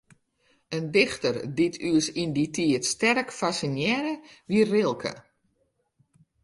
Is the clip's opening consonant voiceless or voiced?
voiced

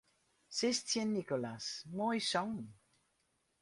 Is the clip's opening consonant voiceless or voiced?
voiceless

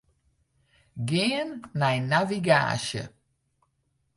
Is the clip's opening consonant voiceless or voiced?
voiced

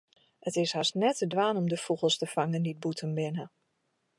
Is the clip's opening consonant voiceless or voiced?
voiceless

